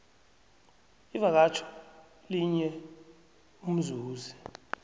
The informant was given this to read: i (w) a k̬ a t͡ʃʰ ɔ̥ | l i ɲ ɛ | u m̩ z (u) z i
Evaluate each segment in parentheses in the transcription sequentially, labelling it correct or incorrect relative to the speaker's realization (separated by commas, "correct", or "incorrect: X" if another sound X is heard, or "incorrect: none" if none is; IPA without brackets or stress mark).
incorrect: v, incorrect: uː